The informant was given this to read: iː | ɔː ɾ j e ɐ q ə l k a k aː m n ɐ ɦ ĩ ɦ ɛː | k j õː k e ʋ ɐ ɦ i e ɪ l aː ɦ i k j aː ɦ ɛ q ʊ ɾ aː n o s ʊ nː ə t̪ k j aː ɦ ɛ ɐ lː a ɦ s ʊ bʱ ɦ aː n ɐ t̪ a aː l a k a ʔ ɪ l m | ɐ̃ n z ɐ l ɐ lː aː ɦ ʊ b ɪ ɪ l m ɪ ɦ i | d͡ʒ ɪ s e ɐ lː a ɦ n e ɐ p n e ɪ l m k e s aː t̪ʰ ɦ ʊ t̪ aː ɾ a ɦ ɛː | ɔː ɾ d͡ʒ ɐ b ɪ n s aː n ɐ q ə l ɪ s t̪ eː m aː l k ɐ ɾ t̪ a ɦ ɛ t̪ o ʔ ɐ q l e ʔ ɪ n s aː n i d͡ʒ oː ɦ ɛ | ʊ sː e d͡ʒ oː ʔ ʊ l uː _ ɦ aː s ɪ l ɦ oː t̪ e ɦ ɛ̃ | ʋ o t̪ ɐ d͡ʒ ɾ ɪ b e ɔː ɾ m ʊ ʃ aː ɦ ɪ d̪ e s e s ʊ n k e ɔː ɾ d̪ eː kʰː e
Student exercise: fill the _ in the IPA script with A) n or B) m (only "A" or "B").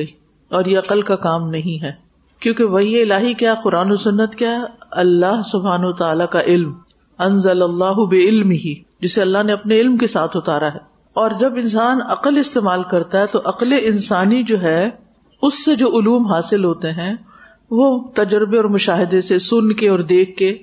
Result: B